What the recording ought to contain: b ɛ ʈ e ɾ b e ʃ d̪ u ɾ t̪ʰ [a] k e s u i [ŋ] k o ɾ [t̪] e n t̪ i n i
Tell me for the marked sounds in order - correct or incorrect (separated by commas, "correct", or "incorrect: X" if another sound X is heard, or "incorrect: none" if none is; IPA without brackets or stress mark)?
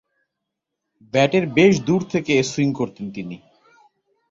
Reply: incorrect: e, correct, correct